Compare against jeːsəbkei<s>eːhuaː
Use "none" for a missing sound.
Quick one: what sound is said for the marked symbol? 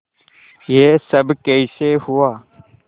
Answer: s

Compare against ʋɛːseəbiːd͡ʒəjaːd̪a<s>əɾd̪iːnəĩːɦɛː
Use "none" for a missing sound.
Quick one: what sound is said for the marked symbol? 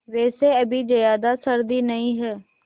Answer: s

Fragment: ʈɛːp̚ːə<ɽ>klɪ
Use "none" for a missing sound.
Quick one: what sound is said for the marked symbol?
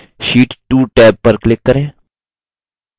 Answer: ɾ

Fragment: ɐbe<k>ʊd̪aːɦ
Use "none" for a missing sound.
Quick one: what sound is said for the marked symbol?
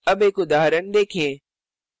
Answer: k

